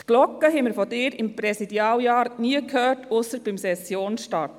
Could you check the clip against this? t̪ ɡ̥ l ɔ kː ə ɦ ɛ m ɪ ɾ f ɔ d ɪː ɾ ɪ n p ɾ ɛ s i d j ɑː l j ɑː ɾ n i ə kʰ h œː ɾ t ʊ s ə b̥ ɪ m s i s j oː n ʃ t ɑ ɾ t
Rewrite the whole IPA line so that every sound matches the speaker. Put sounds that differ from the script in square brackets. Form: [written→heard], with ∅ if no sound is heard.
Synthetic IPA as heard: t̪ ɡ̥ l ɔ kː ə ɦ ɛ m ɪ ɾ f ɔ d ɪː ɾ ɪ [n→m] p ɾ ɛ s i d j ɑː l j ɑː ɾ n i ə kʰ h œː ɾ t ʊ s ə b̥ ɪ m s [i→ɛ] s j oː n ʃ t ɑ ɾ t